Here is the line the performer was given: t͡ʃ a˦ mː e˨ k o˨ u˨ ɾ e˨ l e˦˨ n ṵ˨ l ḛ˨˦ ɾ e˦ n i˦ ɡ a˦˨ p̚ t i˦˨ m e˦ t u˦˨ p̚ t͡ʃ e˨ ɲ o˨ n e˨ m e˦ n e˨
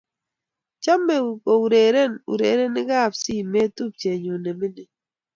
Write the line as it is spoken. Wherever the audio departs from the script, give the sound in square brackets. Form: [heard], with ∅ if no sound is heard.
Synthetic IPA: t͡ʃ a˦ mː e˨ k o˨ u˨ ɾ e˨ [ɾ] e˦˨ n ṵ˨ [ɾ] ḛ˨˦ ɾ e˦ n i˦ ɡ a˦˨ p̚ [s] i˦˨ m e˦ t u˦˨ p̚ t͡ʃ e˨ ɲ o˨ n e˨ m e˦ n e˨